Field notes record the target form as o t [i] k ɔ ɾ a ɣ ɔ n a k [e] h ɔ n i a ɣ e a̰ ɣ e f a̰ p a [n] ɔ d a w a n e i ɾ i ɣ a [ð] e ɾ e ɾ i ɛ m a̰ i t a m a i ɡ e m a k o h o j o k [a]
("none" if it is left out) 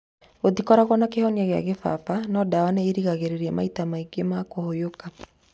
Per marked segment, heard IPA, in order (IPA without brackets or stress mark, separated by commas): i, e, n, ɣ, a